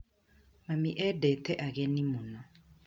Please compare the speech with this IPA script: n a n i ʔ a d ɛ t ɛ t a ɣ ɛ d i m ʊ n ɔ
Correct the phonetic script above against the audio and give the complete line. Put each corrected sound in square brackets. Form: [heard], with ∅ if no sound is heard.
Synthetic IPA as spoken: [m] a [m] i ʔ [ɛ] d ɛ t ɛ [ʔ] a ɣ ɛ [n] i m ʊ n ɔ